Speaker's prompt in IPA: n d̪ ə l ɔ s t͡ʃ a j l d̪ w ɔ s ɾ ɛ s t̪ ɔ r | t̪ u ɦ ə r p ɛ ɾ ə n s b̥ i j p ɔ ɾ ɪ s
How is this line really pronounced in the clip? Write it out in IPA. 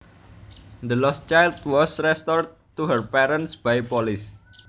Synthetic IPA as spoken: n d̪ ə l ɔ s t͡ʃ a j l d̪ w ɔ s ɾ ɛ s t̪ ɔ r | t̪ u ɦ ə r p ɛ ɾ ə n s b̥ a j p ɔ l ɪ s